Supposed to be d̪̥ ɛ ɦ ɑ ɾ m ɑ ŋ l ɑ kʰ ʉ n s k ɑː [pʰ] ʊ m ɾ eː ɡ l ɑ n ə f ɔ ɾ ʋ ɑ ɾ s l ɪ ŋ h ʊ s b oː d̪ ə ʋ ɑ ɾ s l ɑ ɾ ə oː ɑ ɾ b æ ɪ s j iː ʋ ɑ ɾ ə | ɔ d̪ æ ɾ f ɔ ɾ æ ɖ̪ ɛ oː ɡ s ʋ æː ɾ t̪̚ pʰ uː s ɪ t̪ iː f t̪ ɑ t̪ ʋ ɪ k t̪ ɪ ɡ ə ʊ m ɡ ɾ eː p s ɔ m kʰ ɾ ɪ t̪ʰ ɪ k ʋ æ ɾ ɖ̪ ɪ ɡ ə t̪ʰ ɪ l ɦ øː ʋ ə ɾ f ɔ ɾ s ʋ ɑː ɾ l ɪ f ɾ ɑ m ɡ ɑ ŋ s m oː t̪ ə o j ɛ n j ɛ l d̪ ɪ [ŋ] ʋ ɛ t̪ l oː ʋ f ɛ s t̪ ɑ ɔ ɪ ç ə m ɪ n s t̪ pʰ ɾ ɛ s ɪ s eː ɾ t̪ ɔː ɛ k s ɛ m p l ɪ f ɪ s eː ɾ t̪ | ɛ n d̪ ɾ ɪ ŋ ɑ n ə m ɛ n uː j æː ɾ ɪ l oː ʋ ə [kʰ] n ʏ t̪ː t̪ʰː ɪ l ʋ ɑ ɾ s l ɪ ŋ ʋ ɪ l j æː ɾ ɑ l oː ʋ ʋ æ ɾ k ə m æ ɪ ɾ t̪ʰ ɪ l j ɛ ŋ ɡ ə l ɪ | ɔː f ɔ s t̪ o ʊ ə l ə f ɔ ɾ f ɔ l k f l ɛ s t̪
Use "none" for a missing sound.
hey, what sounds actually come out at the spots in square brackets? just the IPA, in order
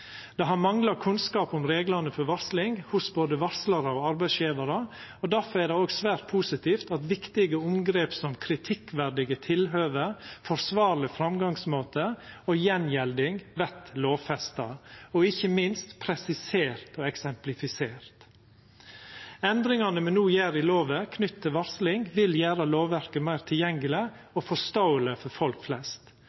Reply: p, ŋ, kʰ

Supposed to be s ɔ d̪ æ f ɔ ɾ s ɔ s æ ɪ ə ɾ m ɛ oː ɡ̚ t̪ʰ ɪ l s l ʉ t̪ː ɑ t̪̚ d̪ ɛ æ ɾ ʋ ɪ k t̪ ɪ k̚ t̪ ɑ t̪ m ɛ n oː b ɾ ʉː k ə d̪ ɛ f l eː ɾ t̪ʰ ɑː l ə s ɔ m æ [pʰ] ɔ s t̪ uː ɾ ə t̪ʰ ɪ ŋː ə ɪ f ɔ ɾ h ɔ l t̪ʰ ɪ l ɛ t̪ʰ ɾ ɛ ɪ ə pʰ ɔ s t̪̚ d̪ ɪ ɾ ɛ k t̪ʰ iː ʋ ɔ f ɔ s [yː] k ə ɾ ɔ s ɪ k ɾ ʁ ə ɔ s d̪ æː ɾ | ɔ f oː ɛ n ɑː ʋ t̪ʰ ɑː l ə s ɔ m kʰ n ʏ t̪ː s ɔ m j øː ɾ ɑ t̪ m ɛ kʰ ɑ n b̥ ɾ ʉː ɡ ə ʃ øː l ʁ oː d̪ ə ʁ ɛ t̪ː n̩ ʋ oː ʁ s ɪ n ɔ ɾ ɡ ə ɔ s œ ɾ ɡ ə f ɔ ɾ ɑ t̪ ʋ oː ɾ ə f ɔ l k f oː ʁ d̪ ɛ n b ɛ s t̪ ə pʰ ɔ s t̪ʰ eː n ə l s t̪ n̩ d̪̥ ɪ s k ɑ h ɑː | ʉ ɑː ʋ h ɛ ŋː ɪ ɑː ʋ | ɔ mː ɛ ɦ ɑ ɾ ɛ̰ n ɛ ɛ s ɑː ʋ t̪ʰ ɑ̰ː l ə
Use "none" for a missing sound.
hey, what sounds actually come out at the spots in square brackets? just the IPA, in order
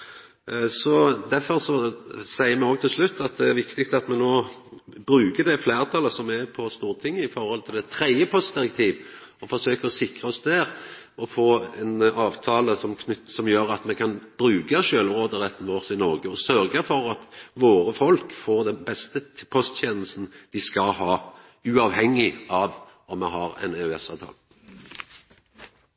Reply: pʰ, øː

